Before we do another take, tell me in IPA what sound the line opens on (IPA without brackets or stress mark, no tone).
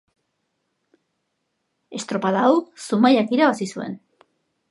e̞